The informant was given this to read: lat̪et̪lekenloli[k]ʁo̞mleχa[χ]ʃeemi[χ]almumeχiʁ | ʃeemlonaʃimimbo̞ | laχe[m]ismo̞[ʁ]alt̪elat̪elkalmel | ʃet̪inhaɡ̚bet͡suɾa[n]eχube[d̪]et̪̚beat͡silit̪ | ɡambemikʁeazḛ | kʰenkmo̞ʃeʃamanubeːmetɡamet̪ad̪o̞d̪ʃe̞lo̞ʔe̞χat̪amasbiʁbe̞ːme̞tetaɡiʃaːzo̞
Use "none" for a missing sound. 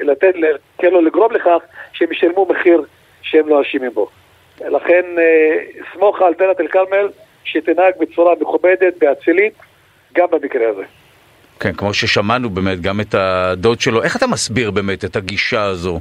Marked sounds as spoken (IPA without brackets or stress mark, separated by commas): ɡ, χ, ʃ, n, χ, m, d̪